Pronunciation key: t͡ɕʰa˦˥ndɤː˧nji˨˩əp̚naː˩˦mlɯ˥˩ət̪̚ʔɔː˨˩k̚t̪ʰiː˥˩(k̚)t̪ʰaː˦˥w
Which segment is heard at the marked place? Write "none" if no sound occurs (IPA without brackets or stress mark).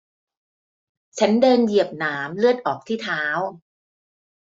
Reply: none